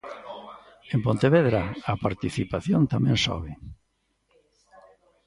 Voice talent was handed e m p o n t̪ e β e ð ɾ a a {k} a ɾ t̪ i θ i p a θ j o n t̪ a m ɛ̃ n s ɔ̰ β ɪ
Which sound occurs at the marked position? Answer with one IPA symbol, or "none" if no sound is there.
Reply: p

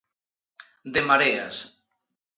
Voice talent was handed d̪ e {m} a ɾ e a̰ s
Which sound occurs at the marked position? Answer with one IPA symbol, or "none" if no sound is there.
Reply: m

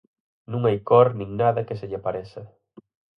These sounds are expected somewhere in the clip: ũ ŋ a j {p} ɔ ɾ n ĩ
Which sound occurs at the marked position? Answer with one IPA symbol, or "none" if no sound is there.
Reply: k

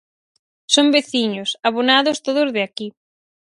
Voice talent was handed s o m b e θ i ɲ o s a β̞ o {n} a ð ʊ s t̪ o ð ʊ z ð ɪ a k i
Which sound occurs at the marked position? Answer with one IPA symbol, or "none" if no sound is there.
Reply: n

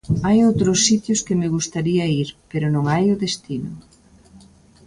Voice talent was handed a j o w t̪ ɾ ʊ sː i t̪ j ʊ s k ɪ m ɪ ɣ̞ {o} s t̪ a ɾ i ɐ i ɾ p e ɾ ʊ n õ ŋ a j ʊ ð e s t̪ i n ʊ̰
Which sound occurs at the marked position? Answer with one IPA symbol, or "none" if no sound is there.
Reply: u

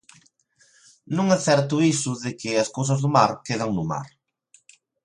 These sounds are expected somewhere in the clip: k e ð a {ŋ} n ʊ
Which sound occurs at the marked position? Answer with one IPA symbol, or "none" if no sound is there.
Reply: ŋ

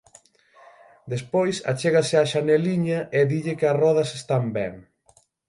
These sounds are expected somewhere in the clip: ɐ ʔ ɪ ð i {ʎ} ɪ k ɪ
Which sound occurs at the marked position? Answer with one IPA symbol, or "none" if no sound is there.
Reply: ʎ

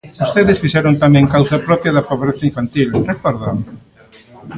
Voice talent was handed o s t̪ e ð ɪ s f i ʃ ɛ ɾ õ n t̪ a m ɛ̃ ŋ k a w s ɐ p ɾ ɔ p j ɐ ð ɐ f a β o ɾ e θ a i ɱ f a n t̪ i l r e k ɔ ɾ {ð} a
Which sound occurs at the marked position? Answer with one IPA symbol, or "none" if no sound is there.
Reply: ð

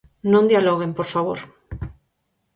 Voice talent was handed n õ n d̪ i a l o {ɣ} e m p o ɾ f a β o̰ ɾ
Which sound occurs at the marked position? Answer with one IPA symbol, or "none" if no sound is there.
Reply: ɣ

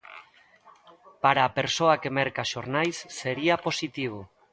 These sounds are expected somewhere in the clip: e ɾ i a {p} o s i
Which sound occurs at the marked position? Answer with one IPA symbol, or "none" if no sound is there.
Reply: p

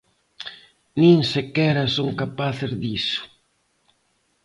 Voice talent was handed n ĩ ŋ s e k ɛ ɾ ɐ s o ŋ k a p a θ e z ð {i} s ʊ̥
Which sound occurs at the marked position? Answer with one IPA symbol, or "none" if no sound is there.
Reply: i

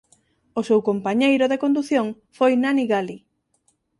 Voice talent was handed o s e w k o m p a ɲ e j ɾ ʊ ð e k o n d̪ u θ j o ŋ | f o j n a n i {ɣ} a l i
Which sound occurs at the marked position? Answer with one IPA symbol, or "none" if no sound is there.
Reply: ɣ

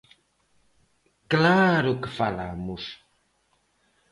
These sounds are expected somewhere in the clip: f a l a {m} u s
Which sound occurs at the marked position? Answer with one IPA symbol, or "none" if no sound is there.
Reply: m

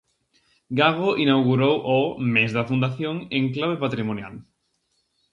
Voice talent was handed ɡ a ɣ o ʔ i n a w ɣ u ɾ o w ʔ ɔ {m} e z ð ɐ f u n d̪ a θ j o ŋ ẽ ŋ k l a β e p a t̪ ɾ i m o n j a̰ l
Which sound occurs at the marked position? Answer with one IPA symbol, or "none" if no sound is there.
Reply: m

